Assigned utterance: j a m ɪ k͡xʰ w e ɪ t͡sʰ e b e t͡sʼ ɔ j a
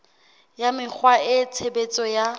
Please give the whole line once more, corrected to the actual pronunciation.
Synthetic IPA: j a m ɪ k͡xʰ w a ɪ t͡sʰ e b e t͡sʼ ɔ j a